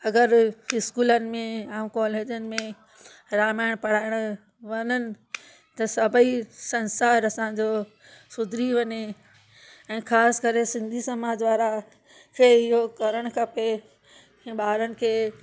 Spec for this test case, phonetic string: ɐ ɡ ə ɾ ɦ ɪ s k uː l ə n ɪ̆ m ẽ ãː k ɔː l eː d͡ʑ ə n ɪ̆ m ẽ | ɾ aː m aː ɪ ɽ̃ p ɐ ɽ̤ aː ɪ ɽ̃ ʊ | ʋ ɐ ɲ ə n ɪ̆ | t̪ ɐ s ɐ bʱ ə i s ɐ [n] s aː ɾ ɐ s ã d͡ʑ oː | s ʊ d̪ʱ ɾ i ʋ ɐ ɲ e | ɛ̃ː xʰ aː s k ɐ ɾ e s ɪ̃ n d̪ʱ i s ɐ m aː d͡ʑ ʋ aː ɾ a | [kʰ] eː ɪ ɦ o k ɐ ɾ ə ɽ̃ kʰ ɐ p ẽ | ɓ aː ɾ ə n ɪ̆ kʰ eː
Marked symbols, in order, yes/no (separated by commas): yes, yes